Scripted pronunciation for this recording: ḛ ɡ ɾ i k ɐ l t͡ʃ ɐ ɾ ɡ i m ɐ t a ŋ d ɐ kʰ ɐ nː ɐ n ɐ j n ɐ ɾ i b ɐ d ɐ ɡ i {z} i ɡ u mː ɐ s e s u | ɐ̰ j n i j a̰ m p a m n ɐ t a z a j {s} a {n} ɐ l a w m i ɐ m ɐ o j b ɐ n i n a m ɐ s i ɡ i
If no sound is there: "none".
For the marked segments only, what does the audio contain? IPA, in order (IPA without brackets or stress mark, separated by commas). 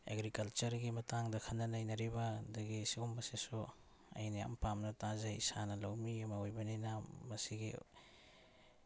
s, s, n